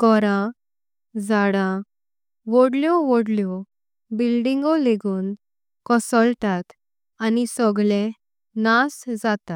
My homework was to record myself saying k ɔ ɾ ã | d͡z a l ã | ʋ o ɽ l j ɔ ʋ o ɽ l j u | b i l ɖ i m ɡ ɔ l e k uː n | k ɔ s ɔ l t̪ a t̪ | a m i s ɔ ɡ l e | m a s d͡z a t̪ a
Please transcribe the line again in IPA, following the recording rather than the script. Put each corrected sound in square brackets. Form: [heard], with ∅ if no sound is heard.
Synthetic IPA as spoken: k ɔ ɾ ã | d͡z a [ɽ] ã | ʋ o ɽ l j ɔ ʋ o ɽ l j [ɔ] | b i l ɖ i [ŋ] ɡ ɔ l e [ɡ] uː n | k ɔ s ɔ l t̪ a t̪ | a [n] i s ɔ ɡ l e | [n] a s d͡z a t̪ a